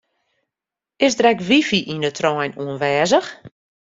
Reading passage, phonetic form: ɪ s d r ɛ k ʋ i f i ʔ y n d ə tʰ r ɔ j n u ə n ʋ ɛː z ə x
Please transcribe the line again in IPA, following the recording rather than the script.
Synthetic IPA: ɪ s d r ɛ k ʋ i f i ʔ i n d ə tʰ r ɔ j n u ə n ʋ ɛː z ə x